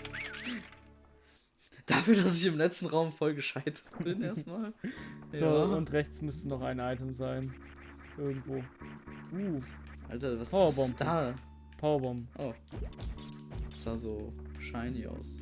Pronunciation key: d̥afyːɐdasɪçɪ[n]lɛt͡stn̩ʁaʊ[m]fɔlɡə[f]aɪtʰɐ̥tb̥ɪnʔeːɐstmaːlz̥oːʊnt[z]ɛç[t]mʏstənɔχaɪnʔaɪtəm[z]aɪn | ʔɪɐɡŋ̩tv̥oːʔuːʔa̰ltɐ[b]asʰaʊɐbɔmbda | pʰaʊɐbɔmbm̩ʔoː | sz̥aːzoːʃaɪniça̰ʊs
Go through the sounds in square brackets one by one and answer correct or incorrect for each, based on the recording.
incorrect, correct, incorrect, incorrect, incorrect, correct, incorrect

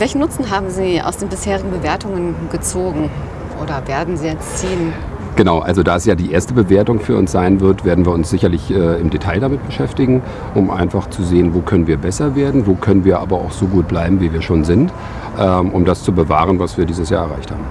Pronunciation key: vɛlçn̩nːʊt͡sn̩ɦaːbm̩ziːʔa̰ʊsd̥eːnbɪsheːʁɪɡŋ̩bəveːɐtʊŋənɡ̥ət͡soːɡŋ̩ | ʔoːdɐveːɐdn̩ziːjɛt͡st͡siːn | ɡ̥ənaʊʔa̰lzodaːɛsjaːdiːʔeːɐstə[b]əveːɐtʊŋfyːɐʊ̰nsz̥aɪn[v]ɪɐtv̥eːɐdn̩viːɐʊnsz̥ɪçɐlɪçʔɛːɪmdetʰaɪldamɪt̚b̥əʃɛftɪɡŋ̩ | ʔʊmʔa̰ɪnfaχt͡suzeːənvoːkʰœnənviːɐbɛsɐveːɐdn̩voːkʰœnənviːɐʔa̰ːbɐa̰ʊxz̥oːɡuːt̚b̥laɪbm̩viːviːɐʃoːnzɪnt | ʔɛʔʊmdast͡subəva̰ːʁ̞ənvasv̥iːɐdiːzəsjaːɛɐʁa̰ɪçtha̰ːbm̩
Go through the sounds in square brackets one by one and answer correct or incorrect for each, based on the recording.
correct, correct

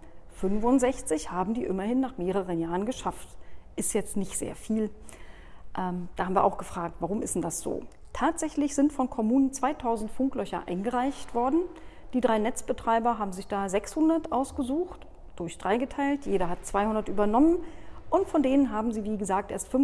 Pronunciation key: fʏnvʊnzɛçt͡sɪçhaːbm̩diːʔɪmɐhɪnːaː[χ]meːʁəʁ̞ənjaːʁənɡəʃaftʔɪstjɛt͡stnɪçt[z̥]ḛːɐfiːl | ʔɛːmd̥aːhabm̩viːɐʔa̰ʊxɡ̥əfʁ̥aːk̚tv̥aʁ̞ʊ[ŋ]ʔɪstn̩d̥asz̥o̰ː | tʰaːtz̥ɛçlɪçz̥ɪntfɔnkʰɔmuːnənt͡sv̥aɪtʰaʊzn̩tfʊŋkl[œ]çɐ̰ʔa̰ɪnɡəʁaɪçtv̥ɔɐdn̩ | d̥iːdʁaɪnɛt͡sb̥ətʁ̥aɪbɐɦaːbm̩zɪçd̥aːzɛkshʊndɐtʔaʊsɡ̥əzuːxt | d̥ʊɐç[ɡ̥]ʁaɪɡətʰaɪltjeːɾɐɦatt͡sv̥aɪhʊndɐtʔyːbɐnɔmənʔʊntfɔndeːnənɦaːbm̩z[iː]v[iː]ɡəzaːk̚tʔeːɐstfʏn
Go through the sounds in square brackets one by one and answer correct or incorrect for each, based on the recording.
correct, correct, incorrect, correct, incorrect, correct, correct

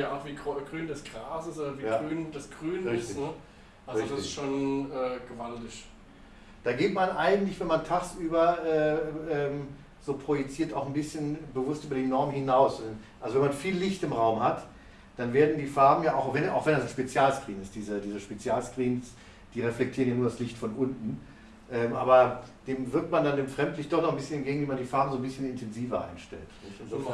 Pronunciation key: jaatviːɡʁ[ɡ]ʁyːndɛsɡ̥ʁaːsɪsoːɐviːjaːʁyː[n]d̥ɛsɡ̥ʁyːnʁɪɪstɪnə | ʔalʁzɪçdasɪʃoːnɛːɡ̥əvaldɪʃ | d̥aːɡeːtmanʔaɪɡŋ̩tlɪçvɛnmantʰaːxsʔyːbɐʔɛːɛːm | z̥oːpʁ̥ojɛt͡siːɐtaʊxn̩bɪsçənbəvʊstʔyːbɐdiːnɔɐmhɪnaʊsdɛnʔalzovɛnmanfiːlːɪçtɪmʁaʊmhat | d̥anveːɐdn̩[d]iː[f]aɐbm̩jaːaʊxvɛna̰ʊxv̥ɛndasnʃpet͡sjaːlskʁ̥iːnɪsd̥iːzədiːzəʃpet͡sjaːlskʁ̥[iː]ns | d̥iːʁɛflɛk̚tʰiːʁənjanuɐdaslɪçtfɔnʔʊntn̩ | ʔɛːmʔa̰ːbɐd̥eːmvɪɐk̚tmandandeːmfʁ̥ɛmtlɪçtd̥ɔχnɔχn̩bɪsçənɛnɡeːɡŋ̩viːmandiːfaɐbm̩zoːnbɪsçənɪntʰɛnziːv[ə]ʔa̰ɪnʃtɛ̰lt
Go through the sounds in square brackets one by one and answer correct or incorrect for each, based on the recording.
correct, correct, correct, correct, correct, incorrect

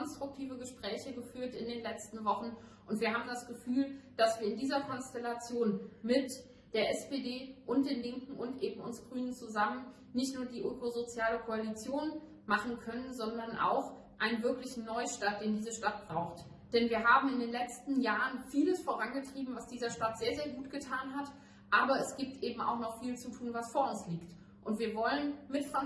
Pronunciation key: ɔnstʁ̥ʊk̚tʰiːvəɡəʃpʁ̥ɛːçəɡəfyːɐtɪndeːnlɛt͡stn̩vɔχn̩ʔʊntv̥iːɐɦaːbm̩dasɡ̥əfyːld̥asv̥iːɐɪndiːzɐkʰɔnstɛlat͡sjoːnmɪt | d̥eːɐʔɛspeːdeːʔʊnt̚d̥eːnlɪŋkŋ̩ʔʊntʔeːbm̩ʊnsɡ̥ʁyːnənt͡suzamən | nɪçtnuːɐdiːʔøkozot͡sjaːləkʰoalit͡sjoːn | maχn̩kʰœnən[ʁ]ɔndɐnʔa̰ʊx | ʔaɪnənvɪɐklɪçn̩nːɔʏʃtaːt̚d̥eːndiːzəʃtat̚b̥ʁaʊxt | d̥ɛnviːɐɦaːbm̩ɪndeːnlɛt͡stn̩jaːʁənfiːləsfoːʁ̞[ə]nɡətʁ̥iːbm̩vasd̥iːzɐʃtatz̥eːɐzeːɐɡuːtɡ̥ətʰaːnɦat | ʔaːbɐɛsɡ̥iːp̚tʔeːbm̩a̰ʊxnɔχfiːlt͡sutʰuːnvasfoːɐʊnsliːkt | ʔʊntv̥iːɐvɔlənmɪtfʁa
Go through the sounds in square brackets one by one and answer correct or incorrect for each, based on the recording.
incorrect, incorrect

